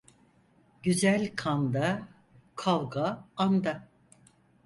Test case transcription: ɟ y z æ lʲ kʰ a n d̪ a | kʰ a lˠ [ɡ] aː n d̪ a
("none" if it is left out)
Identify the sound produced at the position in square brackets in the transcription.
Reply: ɡ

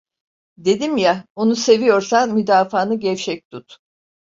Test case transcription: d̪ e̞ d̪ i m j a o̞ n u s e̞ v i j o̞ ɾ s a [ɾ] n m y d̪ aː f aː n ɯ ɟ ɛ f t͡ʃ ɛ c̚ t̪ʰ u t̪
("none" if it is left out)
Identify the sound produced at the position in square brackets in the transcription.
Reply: none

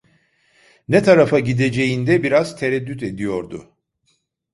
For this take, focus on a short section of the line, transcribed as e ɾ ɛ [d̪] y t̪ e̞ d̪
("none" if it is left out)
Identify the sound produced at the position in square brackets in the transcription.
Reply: d̪ː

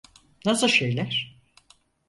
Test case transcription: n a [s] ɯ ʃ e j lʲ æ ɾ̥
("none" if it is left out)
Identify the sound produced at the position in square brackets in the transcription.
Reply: s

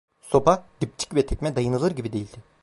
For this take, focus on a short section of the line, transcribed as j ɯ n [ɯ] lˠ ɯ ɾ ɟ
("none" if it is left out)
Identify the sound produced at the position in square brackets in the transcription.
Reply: ɯ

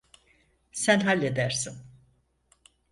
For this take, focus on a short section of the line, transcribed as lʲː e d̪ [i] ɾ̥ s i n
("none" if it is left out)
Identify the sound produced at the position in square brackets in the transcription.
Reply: æ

